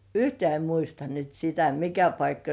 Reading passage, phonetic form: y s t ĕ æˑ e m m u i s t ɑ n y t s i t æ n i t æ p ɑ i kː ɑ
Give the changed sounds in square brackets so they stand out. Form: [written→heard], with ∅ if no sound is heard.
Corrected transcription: y [s→h] t ĕ æˑ e m m u i s t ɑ n y t s i t æ [n→m] i [t→k] æ p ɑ i kː ɑ